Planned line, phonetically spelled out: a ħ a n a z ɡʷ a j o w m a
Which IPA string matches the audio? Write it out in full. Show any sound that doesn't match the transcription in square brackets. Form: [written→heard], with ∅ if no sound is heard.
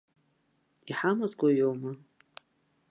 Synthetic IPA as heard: [a→i] ħ a [n→m] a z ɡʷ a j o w m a